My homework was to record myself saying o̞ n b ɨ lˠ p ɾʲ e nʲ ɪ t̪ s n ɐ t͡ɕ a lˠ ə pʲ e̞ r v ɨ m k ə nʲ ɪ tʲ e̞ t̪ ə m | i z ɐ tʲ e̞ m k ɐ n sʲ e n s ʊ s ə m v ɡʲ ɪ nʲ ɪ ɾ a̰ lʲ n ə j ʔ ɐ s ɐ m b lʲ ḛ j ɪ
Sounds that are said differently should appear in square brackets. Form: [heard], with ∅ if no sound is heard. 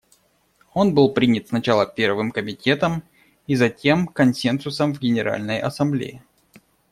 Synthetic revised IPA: o̞ n b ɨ lˠ p ɾʲ [i] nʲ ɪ t̪ s n ɐ t͡ɕ a lˠ ə pʲ e̞ r v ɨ m k ə [mʲ] ɪ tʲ e̞ t̪ ə m | i z ɐ tʲ e̞ m k ɐ n sʲ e n s ʊ s ə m v ɡʲ ɪ nʲ ɪ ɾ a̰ lʲ n ə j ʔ ɐ s ɐ m b lʲ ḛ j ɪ

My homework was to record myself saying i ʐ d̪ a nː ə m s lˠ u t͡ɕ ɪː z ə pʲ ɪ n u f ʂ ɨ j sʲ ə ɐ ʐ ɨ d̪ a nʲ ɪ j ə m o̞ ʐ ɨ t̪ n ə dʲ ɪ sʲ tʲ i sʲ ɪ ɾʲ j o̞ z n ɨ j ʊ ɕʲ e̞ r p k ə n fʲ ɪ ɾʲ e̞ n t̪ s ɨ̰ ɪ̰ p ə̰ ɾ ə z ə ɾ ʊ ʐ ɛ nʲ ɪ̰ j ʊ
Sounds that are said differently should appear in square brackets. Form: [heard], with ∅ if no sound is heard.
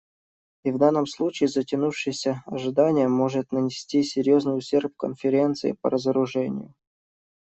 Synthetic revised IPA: i [v] d̪ a nː ə m s lˠ u t͡ɕ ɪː z ə [tʲ] ɪ n u f ʂ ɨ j sʲ ə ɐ ʐ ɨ d̪ a nʲ ɪ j ə m o̞ ʐ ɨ t̪ n ə [nʲ] ɪ sʲ tʲ i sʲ ɪ ɾʲ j o̞ z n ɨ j ʊ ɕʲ e̞ r p k ə n fʲ ɪ ɾʲ e̞ n t̪ s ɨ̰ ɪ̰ p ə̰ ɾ ə z ə ɾ ʊ ʐ ɛ nʲ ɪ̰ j ʊ

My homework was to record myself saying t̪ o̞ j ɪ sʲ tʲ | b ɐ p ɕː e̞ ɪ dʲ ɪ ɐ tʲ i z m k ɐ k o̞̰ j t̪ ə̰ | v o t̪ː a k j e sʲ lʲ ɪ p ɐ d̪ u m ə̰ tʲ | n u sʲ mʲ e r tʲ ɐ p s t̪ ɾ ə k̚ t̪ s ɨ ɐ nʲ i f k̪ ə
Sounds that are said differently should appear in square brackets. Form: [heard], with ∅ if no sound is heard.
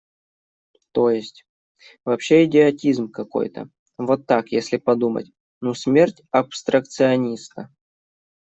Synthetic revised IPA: t̪ o̞ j ɪ sʲ tʲ | [v] ɐ p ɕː e̞ ɪ dʲ ɪ ɐ tʲ i z m k ɐ k o̞̰ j t̪ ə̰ | v o t̪ː a k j e sʲ lʲ ɪ p ɐ d̪ u m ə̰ tʲ | n u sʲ mʲ e r tʲ ɐ p s t̪ ɾ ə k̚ t̪ s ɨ ɐ nʲ i [s] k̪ ə

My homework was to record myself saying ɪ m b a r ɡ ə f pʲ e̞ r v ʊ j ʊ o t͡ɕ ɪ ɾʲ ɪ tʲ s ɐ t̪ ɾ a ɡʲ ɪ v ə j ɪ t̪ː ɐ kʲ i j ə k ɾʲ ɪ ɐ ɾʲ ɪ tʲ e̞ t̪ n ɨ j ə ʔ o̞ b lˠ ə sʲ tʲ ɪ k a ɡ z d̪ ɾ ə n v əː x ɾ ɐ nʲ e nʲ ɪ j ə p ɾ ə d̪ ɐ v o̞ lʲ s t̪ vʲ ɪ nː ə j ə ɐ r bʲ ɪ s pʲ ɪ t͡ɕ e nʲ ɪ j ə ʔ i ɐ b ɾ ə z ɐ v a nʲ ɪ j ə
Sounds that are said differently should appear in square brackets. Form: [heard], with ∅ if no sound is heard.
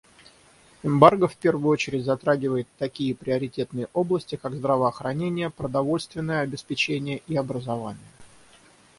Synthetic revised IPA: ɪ m b a r ɡ ə f pʲ e̞ r v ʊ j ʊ o t͡ɕ ɪ ɾʲ ɪ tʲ [z] ɐ t̪ ɾ a ɡʲ ɪ v ə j ɪ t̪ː ɐ kʲ i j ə [p] ɾʲ ɪ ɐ ɾʲ ɪ tʲ e̞ t̪ n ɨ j ə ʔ o̞ b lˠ ə sʲ tʲ ɪ k a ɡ z d̪ ɾ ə [∅] v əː x ɾ ɐ nʲ e nʲ ɪ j ə p ɾ ə d̪ ɐ v o̞ lʲ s t̪ vʲ ɪ nː ə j ə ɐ [∅] bʲ ɪ s pʲ ɪ t͡ɕ e nʲ ɪ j ə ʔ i ɐ b ɾ ə z ɐ v a nʲ ɪ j ə

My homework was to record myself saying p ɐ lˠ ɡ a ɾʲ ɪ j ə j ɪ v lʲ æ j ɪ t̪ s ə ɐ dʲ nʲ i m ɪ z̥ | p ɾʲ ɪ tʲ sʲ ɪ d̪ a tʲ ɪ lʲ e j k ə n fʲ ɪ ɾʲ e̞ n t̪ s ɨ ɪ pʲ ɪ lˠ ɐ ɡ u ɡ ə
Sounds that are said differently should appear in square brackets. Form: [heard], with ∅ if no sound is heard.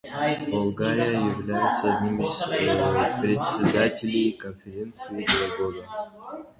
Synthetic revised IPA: [b] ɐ lˠ ɡ a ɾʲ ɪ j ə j ɪ v lʲ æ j ɪ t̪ s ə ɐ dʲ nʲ i m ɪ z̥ | p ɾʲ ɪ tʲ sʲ ɪ d̪ a tʲ ɪ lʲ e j k ə n fʲ ɪ ɾʲ e̞ n t̪ s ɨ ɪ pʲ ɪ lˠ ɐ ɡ [o] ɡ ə

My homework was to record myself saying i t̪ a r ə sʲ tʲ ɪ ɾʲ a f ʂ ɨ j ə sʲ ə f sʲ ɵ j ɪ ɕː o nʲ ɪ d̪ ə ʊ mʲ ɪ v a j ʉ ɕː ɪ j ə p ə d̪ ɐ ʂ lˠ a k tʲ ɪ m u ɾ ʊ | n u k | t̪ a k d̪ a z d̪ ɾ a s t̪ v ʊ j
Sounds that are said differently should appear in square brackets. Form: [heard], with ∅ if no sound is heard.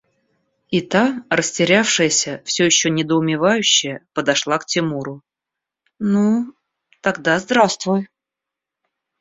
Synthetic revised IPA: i t̪ a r ə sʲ tʲ ɪ ɾʲ a f ʂ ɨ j ə sʲ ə f sʲ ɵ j ɪ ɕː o nʲ ɪ d̪ ə ʊ mʲ ɪ v a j ʉ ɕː ɪ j ə p ə d̪ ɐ ʂ lˠ a k tʲ ɪ m u ɾ ʊ | n u [∅] | t̪ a [ɡ] d̪ a z d̪ ɾ a s t̪ v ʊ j

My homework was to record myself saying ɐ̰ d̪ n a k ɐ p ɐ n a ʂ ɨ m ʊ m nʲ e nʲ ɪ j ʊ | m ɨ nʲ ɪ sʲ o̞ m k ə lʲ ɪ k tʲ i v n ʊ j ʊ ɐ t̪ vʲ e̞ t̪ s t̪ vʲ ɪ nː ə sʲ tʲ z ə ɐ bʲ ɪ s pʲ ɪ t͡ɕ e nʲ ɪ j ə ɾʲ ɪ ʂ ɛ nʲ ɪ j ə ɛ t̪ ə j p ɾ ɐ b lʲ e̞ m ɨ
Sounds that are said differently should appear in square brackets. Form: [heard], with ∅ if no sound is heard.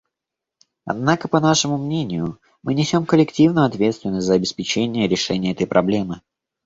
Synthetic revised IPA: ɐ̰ d̪ n a k [ə] p ɐ n a ʂ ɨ m ʊ m nʲ e nʲ ɪ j ʊ | m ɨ nʲ ɪ sʲ o̞ m k ə lʲ ɪ k tʲ i v n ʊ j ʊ ɐ t̪ vʲ e̞ t̪ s t̪ vʲ ɪ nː ə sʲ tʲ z ə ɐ bʲ ɪ s pʲ ɪ t͡ɕ e nʲ ɪ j ə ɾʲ ɪ ʂ ɛ nʲ ɪ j ə ɛ t̪ ə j p ɾ ɐ b lʲ e̞ m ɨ

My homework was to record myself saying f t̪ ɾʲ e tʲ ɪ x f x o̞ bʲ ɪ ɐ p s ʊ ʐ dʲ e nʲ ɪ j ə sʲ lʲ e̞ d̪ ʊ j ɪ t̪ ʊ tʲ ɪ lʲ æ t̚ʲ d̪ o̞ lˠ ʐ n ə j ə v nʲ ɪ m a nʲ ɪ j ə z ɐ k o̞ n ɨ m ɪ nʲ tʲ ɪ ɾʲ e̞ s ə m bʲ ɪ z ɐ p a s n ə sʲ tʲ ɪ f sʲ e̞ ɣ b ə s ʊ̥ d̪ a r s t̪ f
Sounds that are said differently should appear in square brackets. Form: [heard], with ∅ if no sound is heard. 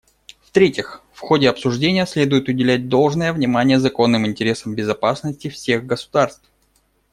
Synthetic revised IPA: f t̪ ɾʲ e tʲ ɪ x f x o̞ [dʲ] ɪ ɐ p s ʊ ʐ dʲ e nʲ ɪ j ə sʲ lʲ e̞ d̪ ʊ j ɪ t̪ ʊ [dʲ] ɪ lʲ æ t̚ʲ d̪ o̞ lˠ ʐ n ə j ə v nʲ ɪ m a nʲ ɪ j ə z ɐ k o̞ [nː] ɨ m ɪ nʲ tʲ ɪ ɾʲ e̞ s ə m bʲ ɪ z ɐ p a s n ə sʲ tʲ ɪ f sʲ e̞ ɣ [ɡ] ə s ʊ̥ d̪ a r s t̪ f

